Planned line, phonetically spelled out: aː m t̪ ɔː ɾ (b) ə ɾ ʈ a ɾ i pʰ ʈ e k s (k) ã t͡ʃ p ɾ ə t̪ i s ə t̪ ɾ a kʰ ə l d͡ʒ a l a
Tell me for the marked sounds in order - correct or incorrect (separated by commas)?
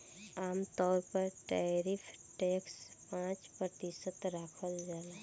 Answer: incorrect, incorrect